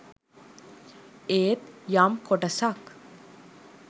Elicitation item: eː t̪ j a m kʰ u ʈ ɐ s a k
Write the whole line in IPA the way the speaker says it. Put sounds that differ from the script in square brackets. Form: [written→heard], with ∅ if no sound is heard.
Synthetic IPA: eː t̪ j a m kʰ [u→o] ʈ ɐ s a k